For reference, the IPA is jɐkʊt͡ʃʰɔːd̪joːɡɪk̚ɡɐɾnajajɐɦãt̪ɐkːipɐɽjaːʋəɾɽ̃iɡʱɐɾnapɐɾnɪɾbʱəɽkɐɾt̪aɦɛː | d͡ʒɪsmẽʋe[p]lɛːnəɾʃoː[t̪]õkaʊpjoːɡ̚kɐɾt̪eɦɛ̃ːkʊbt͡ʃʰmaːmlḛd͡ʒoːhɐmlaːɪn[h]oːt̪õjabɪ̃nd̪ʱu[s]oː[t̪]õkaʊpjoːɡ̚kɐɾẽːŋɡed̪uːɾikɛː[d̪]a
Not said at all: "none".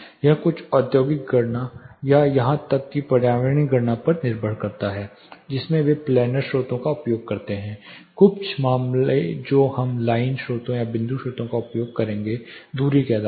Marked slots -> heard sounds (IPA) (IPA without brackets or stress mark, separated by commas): p, t̪, ʃ, ʃ, t̪, d̪